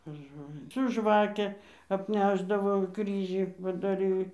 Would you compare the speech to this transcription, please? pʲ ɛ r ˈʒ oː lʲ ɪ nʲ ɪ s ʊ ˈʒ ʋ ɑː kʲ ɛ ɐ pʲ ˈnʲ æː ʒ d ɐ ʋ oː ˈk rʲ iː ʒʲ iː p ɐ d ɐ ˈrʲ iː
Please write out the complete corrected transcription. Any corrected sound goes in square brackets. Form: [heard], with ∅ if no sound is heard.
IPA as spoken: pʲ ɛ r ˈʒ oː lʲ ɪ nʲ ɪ s ʊ ˈʒ ʋ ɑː kʲ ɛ ɐ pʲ ˈnʲ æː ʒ d ɐ ʋ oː ˈk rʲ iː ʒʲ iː p ɐ d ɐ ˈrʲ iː